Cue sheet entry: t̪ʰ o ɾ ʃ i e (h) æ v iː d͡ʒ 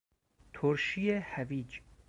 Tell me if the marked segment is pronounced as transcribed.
yes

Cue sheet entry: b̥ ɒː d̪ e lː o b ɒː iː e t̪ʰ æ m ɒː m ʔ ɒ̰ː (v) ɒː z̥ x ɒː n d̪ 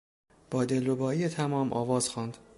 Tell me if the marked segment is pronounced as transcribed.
yes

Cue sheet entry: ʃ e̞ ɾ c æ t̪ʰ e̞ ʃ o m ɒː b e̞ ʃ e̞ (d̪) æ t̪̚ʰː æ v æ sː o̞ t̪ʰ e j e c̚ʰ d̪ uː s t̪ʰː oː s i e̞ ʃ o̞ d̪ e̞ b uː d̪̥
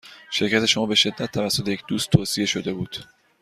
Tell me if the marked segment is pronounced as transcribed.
no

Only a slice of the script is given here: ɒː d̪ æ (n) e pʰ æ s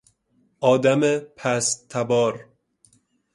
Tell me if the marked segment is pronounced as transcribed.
no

